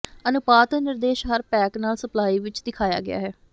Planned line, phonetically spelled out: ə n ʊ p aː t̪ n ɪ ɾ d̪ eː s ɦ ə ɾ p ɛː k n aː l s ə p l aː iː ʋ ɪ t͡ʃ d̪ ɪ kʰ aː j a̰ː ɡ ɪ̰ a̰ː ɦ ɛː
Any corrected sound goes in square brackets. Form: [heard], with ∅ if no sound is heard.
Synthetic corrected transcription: ə n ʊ p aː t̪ n ɪ ɾ d̪ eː [ʃ] ɦ ə ɾ p ɛː k n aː l s ə p l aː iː ʋ ɪ t͡ʃ d̪ ɪ kʰ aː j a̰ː ɡ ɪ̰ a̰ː ɦ ɛː